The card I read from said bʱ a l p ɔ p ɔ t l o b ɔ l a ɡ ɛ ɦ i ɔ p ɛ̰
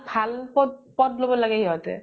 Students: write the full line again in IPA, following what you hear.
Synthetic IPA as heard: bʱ a l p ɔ p ɔ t l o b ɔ l a ɡ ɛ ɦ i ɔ t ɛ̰